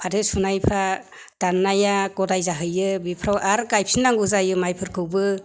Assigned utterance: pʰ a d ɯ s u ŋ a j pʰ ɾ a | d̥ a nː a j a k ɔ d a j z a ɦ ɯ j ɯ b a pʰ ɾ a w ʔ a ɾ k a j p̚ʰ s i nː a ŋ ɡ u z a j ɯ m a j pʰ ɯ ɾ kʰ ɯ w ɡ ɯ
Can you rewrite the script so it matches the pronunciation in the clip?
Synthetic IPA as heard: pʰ a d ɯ s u n a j pʰ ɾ a | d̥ a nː a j a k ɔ d a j z a ɦ ɯ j ɯ b i pʰ ɾ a w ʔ a ɾ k a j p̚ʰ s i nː a ŋ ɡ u z a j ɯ m a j pʰ ɯ ɾ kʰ ɯ w b ɯ